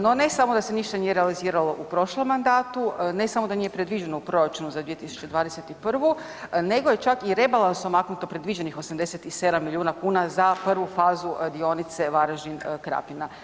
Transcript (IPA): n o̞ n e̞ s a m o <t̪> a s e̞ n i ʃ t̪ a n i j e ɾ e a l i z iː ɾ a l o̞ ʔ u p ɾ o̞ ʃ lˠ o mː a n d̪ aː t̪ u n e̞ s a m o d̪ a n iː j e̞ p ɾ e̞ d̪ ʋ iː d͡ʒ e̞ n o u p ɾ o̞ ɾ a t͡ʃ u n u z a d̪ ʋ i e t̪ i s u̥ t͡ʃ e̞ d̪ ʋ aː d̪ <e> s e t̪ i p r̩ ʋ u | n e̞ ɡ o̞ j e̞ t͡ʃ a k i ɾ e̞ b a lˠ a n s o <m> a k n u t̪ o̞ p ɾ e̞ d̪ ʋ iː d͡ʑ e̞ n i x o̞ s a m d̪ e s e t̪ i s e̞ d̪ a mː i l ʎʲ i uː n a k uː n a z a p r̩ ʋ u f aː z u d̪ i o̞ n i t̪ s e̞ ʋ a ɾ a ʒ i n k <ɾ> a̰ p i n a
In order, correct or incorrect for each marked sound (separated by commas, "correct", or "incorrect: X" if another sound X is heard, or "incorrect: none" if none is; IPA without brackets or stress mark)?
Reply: incorrect: d̪, correct, correct, correct